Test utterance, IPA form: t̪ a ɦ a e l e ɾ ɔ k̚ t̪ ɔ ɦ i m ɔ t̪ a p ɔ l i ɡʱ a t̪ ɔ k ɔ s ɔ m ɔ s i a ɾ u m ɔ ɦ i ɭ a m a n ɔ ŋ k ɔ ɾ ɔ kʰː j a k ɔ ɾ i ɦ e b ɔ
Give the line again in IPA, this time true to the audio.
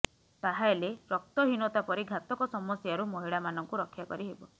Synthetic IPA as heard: t̪ a ɦ a e l e ɾ ɔ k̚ t̪ ɔ ɦ i n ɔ t̪ a p ɔ ɾ i ɡʱ a t̪ ɔ k ɔ s ɔ m ɔ s j a ɾ u m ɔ ɦ i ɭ a m a n ɔ ŋ k u ɾ ɔ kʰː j a k ɔ ɾ i ɦ e b ɔ

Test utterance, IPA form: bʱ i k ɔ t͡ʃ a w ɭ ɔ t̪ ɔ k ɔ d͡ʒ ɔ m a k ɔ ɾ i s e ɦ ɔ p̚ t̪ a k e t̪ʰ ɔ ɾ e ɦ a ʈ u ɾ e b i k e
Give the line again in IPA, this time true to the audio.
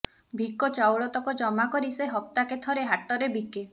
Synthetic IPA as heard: bʱ i k ɔ t͡ʃ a w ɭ ɔ t̪ ɔ k ɔ d͡ʒ ɔ m a k ɔ ɾ i s e ɦ ɔ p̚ t̪ a k e t̪ʰ ɔ ɾ e ɦ a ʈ ɔ ɾ e b i k e

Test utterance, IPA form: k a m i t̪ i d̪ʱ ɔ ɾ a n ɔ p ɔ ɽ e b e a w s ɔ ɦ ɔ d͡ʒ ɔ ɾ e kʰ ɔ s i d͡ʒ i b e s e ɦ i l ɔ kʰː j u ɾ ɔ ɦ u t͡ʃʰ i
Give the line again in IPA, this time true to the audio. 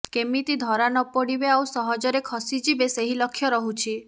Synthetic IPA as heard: k e m i t̪ i d̪ʱ ɔ ɾ a n ɔ p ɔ ɽ i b e a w s ɔ ɦ ɔ d͡ʒ ɔ ɾ e kʰ ɔ s i d͡ʒ i b e s e ɦ i l ɔ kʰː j ɔ ɾ ɔ ɦ u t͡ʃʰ i

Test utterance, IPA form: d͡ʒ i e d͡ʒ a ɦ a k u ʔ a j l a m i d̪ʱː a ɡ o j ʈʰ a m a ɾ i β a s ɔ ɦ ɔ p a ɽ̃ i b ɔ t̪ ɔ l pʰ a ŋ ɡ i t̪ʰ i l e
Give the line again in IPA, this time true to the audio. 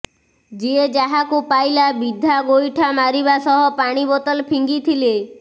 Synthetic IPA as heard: d͡ʒ i e d͡ʒ a ɦ a k u p a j l a b i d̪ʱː a ɡ o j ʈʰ a m a ɾ i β a s ɔ ɦ ɔ p a ɽ̃ i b ɔ t̪ ɔ l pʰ i ŋ ɡ i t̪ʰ i l e

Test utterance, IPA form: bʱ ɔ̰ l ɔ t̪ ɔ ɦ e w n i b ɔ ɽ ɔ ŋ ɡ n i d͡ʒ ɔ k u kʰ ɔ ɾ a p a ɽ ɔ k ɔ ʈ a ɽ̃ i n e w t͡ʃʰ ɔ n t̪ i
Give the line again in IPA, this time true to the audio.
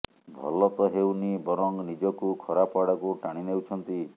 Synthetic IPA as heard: bʱ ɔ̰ l ɔ t̪ ɔ ɦ e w n i b ɔ ɾ ɔ ŋ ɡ n i d͡ʒ ɔ k u kʰ ɔ ɾ a p a ɽ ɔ k u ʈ a ɽ̃ i n e w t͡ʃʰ ɔ n t̪ i

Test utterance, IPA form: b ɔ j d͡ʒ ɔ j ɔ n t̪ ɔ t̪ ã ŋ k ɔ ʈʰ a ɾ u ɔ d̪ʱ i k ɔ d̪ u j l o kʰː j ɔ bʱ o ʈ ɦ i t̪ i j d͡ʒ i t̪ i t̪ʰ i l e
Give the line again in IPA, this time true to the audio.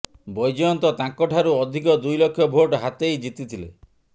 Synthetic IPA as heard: b ɔ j d͡ʒ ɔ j ɔ n t̪ ɔ t̪ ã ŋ k ɔ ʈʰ a ɾ u ɔ d̪ʱ i k ɔ d̪ u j l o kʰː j ɔ bʱ o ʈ ɦ a t̪ e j d͡ʒ i t̪ i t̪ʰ i l e

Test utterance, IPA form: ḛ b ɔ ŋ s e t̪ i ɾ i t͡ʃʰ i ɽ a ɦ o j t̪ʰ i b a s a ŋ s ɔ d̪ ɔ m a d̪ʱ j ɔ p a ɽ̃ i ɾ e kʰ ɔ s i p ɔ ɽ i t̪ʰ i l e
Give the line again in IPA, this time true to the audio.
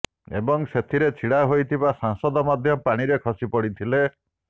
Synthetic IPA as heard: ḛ b ɔ ŋ s e t̪ʰ i ɾ e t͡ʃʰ i ɽ a ɦ o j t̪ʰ i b a s a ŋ s ɔ d̪ ɔ m a d̪ʱ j ɔ p a ɽ̃ i ɾ e kʰ ɔ s i p ɔ ɽ i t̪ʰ i l e

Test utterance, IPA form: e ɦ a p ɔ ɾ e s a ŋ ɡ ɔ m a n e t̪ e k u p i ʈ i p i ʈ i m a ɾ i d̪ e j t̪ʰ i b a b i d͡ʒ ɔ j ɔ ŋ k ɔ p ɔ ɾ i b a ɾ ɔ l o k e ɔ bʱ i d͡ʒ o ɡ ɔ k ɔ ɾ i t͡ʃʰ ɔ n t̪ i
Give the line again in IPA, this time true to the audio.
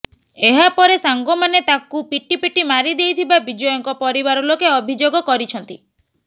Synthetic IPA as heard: e ɦ a p ɔ ɾ e s a ŋ ɡ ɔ m a n e t̪ a k u p i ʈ i p i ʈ i m a ɾ i d̪ e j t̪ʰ i b a b i d͡ʒ ɔ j ɔ ŋ k ɔ p ɔ ɾ i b a ɾ ɔ l o k e ɔ bʱ i d͡ʒ o ɡ ɔ k ɔ ɾ i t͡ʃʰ ɔ n t̪ i

